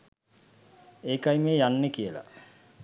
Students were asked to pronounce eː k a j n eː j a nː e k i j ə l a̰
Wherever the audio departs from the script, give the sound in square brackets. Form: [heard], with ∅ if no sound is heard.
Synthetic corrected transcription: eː k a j [m] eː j a nː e k i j ə l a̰